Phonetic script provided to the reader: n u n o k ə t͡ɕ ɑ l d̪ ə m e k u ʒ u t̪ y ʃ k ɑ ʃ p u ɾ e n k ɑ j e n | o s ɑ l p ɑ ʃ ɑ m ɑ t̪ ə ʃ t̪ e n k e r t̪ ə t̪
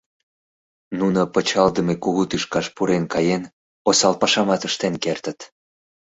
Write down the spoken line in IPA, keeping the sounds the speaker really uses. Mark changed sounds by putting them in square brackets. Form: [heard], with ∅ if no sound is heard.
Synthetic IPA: n u n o [p] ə t͡ɕ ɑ l d̪ ə m e k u [ɣ] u t̪ y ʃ k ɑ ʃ p u ɾ e n k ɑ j e n | o s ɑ l p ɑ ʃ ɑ m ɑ t̪ ə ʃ t̪ e n k e r t̪ ə t̪